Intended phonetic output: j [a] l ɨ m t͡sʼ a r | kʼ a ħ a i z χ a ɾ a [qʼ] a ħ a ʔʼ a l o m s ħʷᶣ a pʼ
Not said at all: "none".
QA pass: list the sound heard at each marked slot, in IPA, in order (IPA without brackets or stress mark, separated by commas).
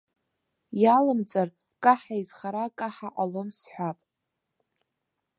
a, kʼ